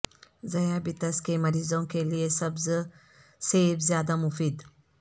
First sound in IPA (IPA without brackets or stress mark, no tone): z